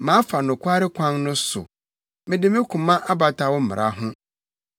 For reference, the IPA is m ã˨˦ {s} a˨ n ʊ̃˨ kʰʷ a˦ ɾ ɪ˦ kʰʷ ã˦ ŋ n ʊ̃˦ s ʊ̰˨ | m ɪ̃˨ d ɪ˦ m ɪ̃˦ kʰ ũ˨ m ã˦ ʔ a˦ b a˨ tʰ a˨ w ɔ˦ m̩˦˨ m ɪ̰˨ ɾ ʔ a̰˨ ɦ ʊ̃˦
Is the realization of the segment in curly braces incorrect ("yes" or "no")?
yes